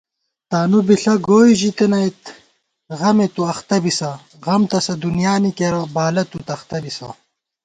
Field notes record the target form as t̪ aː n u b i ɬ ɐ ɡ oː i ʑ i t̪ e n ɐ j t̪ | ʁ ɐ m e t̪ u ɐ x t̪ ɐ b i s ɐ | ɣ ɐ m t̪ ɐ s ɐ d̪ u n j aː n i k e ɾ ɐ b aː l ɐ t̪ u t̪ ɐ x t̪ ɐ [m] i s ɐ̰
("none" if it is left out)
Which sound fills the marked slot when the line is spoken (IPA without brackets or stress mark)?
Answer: b